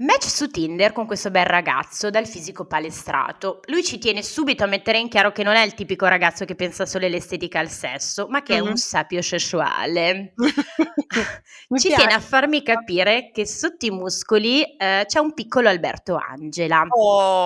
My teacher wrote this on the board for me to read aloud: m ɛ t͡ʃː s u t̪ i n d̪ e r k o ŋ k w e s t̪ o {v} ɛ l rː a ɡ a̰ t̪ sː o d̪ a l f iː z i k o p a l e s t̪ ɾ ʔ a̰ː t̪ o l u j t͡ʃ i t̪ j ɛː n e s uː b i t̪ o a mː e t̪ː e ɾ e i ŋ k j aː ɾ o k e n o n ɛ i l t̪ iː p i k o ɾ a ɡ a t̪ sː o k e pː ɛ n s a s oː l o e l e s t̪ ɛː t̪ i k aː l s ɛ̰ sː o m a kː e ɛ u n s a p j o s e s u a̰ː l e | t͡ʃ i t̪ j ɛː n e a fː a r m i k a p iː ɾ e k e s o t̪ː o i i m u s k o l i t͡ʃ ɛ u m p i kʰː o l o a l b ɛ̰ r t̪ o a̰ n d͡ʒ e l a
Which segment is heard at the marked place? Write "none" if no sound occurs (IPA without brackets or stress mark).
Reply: b